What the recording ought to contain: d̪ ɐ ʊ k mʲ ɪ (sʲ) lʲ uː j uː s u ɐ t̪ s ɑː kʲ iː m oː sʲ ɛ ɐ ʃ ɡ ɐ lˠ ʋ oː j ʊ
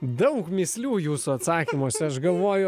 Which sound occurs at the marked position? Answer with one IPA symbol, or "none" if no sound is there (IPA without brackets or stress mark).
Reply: sʲ